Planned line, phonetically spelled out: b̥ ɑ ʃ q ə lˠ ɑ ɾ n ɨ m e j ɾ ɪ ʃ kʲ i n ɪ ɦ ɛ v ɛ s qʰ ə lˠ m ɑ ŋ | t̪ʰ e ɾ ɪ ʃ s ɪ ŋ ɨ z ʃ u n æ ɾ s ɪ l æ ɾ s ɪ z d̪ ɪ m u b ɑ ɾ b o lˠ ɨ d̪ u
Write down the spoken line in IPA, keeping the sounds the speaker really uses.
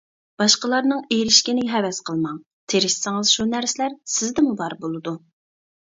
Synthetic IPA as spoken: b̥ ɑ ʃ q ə lˠ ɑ ɾ n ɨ ŋ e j ɾ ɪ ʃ kʲ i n ɪ ɦ ɛ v ɛ s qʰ ə lˠ m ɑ ŋ | t̪ʰ e ɾ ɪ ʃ s ɪ ŋ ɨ z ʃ u n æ ɾ s ɪ l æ ɾ s ɪ z d̪ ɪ m u b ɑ ɾ b o lˠ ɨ d̪ u